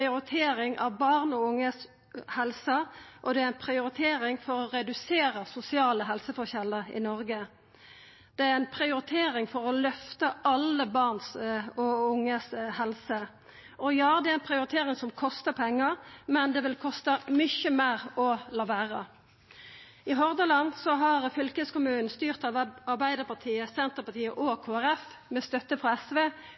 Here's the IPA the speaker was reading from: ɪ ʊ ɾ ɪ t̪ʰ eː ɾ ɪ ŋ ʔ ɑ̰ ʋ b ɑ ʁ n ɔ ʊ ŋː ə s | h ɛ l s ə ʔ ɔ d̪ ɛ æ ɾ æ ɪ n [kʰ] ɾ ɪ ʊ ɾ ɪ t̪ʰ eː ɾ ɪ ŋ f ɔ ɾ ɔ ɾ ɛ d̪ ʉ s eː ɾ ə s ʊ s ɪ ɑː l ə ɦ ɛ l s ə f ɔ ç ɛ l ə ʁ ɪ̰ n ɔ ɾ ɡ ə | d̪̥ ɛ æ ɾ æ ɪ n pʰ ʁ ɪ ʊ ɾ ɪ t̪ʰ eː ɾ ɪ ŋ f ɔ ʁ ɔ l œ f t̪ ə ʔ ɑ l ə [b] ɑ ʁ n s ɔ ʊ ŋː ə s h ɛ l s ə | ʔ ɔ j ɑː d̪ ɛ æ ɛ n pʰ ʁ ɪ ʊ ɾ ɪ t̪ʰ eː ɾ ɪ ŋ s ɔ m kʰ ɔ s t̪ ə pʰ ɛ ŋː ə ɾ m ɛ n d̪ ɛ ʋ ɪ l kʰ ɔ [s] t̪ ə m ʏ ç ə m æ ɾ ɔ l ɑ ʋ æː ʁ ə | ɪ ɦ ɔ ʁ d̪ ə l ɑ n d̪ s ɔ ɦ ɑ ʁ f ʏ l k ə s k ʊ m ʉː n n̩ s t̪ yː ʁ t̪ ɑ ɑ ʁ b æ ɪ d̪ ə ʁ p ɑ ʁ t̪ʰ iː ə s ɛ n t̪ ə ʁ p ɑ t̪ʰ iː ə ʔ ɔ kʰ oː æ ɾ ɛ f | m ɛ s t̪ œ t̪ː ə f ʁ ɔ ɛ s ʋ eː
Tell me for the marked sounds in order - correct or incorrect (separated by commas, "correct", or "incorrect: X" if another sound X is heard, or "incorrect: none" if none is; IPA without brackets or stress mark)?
incorrect: pʰ, correct, correct